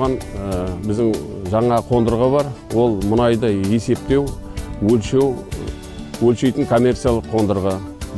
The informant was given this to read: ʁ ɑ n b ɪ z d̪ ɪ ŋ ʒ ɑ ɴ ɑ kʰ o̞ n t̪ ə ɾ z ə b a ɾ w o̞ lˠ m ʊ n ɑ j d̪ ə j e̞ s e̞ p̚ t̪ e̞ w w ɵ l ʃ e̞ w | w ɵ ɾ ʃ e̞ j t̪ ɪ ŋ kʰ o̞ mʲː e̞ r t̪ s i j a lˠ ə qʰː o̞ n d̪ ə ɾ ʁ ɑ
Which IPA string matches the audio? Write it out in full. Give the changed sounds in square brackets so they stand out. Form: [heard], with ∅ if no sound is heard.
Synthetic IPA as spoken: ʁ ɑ n b ɪ z d̪ ɪ ŋ ʒ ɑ ɴ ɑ [qʰ] o̞ n [d̪] ə ɾ [ʁ] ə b [ɑ] ɾ w o̞ lˠ m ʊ n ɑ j d̪ ə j e̞ s e̞ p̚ t̪ e̞ w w ɵ l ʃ e̞ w | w ɵ [l] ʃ e̞ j t̪ ɪ ŋ kʰ o̞ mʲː e̞ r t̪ s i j a lˠ ə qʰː o̞ n d̪ ə ɾ ʁ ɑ